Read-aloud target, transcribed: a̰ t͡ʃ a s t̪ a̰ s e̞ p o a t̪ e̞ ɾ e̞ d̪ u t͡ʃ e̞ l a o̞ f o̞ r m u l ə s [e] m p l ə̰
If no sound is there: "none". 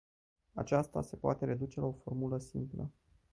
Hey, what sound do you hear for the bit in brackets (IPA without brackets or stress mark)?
i